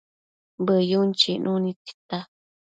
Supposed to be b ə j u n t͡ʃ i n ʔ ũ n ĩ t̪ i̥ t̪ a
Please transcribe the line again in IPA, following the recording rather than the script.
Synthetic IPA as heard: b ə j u n t͡ʃ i n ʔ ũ n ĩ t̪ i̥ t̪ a